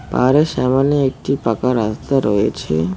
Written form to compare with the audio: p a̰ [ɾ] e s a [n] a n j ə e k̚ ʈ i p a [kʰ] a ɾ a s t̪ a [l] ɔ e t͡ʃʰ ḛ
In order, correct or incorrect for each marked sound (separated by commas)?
correct, incorrect, incorrect, incorrect